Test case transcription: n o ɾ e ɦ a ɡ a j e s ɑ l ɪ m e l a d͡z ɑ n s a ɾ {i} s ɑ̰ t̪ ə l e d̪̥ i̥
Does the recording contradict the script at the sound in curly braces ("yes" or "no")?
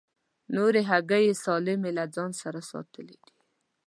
yes